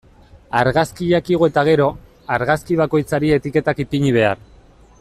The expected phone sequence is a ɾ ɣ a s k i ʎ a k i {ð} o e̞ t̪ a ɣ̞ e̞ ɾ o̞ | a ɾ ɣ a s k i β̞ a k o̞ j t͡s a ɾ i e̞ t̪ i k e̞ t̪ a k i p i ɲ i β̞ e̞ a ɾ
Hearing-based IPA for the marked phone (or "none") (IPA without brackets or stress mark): ɣ